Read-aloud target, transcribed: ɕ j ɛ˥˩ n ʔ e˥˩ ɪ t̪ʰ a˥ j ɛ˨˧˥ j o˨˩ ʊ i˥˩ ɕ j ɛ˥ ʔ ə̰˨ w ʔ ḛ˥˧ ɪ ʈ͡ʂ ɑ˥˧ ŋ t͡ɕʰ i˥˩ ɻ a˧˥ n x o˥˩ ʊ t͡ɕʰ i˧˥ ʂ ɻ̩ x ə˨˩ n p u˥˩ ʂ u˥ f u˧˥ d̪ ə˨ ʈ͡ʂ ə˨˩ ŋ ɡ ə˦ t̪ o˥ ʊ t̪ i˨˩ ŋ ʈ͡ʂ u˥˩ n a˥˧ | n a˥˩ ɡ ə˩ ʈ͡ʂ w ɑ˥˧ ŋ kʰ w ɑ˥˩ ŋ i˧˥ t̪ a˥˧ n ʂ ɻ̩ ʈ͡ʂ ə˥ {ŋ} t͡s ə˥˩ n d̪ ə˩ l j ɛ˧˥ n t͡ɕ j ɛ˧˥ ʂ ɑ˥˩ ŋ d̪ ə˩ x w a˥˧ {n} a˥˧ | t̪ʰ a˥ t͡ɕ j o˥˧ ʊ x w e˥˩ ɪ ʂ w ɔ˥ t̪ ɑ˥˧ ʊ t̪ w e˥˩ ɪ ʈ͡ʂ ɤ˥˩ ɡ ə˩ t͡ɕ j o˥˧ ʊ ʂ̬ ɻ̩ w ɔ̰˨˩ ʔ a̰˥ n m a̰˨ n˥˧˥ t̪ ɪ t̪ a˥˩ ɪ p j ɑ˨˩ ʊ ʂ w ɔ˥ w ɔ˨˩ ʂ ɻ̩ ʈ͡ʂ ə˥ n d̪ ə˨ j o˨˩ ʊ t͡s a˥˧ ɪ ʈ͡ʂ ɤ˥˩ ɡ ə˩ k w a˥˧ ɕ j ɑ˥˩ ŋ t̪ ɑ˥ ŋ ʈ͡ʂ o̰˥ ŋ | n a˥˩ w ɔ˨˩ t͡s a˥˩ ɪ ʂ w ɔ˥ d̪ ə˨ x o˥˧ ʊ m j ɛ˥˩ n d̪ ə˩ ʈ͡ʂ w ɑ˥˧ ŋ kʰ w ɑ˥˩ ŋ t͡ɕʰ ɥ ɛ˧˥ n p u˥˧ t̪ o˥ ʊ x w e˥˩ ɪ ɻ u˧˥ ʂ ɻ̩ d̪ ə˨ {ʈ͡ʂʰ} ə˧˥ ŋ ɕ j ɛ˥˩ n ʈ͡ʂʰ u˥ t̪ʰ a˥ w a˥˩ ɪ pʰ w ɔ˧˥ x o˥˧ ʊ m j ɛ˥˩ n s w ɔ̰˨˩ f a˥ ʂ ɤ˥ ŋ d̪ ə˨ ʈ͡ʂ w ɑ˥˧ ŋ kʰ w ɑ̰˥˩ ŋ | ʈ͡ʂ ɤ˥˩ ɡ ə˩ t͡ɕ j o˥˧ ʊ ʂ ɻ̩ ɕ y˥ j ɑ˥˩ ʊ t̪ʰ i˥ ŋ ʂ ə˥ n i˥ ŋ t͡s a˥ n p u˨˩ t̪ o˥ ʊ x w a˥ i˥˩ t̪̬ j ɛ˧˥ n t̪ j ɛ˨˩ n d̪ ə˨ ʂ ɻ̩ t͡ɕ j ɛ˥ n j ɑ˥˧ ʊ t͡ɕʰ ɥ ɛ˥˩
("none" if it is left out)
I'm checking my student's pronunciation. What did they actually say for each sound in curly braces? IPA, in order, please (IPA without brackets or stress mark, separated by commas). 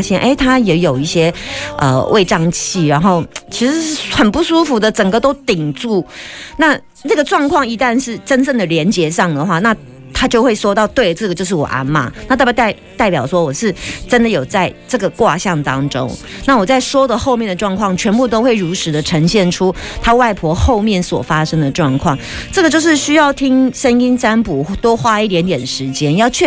n, n, ʈ͡ʂʰ